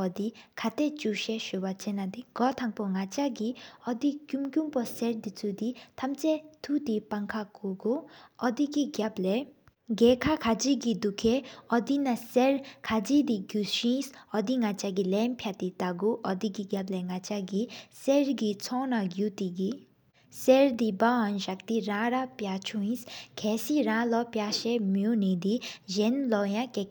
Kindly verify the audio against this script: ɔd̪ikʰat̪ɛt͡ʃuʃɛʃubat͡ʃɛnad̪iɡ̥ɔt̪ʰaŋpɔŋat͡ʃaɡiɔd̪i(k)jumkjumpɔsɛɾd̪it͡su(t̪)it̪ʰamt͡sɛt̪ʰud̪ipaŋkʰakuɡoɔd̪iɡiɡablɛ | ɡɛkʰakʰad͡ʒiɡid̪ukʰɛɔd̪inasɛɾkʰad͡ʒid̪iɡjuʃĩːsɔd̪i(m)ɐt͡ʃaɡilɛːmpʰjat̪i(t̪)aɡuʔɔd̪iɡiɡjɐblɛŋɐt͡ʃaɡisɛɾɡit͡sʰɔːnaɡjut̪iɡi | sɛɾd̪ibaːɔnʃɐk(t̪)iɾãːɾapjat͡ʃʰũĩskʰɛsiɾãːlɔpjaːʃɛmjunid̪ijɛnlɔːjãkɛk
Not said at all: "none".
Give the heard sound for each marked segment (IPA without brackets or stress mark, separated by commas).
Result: k, d̪, ŋ, t̪, t̪